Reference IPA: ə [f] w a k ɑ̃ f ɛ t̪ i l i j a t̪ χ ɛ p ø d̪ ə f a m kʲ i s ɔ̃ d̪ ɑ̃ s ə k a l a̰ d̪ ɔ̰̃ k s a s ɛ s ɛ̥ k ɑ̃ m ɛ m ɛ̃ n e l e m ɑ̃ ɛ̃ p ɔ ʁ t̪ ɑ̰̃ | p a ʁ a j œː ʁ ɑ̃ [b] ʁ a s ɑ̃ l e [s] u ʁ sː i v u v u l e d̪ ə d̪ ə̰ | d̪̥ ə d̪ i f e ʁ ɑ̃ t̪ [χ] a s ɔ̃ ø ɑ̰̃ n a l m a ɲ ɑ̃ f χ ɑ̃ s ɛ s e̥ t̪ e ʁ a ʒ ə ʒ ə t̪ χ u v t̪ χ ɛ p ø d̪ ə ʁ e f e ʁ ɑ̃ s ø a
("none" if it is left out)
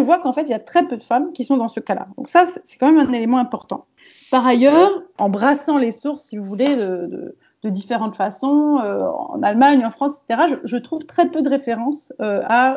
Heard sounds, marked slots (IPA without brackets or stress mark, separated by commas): v, b, s, f